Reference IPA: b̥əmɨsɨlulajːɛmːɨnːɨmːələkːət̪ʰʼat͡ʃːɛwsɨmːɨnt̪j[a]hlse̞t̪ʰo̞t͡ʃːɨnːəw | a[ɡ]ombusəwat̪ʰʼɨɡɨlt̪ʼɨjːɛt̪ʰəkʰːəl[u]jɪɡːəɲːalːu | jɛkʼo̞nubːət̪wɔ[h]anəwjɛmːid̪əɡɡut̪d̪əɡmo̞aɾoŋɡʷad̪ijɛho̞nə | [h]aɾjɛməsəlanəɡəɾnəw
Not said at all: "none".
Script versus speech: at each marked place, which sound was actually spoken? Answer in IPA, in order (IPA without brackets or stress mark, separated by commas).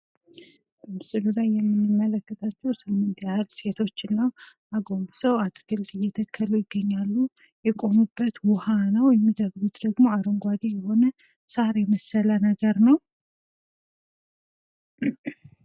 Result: a, ɡ, u, h, s